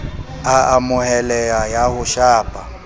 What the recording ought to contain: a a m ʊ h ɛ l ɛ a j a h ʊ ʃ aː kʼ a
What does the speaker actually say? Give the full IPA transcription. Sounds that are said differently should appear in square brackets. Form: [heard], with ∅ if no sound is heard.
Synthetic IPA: a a m ʊ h ɛ l ɛ a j a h ʊ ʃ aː [pʼ] a